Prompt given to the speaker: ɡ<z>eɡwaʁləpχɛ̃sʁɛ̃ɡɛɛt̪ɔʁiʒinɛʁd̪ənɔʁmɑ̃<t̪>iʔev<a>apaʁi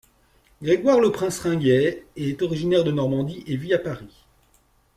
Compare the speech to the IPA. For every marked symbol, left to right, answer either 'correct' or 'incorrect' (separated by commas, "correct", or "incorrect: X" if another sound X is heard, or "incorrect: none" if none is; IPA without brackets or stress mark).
incorrect: ʁ, incorrect: d̪, incorrect: i